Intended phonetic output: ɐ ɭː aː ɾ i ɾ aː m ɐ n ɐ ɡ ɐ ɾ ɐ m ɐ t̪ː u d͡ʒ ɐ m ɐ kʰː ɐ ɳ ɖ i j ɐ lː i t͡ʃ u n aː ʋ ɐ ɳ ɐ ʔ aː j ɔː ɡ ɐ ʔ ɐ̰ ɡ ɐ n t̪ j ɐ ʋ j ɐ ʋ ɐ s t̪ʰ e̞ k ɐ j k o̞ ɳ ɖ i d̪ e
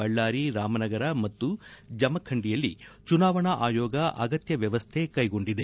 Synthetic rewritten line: ɐ ɭː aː ɾ i ɾ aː m ɐ n ɐ ɡ ɐ ɾ ɐ m ɐ t̪ː u d͡ʒ ɐ m ɐ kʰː ɐ ɳ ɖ i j ɐ lː i t͡ʃ u n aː ʋ ɐ ɳ ɐ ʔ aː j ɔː ɡ ɐ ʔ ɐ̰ ɡ ɐ t̪ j ɐ ʋ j ɐ ʋ ɐ s t̪ʰ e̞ k ɐ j ɡ o̞ ɳ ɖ i d̪ e